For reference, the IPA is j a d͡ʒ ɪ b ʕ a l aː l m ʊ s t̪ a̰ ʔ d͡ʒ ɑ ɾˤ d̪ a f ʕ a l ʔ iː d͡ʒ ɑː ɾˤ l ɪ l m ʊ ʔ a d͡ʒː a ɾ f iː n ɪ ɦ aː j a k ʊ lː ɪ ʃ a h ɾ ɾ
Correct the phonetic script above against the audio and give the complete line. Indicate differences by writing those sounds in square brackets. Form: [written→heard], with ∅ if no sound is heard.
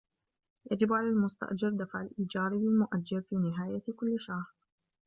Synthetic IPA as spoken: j a d͡ʒ ɪ b ʕ a l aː l m ʊ s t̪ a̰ ʔ d͡ʒ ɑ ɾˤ d̪ a f ʕ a l ʔ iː d͡ʒ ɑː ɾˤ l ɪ l m ʊ ʔ a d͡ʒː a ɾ f iː n ɪ ɦ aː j a k ʊ lː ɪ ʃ a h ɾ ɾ